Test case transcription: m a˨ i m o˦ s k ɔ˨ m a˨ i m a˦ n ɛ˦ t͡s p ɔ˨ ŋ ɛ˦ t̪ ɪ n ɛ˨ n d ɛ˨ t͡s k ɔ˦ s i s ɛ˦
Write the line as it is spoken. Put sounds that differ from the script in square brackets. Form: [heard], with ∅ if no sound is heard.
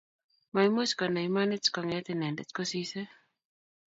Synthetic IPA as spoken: m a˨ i m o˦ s k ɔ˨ [n] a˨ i m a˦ n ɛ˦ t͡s [k] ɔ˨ ŋ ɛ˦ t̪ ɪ n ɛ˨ n d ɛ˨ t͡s k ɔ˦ s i s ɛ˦